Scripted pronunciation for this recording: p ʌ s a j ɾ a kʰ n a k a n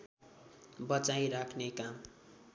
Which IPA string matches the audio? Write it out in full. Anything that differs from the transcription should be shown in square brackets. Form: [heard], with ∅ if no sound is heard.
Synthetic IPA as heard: [b] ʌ [t͡s] a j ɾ a kʰ n [e] k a [m]

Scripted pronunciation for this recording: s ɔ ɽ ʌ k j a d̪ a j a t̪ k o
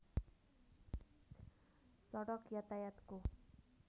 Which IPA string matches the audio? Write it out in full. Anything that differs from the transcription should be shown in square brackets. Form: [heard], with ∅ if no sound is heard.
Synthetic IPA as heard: s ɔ ɽ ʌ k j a [t̪] a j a t̪ k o

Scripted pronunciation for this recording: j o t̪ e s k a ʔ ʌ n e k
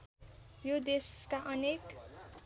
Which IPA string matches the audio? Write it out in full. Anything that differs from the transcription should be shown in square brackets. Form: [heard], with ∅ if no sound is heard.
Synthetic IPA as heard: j o [d̪] e s k a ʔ ʌ n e k

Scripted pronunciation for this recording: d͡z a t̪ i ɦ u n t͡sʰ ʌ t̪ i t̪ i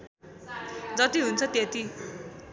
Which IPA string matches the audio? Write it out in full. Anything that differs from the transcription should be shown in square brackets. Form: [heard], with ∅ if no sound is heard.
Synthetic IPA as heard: d͡z [ʌ] t̪ i ɦ u n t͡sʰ ʌ t̪ [e] t̪ i

